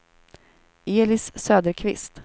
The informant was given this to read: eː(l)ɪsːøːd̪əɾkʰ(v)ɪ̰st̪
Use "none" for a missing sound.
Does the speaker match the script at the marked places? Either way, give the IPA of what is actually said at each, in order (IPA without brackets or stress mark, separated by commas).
l, v